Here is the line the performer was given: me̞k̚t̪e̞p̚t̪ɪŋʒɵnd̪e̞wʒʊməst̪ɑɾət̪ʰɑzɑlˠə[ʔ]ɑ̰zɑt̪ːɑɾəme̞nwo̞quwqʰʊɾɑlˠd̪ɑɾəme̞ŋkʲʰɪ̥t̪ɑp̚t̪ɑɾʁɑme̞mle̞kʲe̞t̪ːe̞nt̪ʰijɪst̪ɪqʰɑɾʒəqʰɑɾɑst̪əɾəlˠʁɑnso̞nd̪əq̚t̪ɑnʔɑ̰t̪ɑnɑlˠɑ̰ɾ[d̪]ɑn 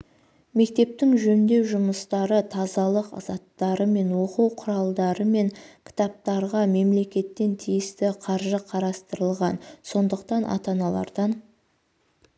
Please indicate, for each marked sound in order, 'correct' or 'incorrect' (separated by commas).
incorrect, correct